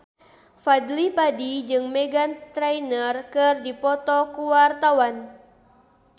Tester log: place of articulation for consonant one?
labial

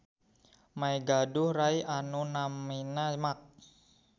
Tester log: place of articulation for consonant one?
labial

